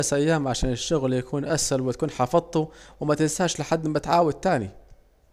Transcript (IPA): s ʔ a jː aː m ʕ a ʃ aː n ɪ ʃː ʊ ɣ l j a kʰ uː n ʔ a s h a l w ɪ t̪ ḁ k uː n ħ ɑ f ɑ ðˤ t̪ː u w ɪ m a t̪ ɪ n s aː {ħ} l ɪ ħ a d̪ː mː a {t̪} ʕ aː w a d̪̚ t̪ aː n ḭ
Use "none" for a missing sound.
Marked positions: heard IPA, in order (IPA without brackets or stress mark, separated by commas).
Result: ʃ, t̪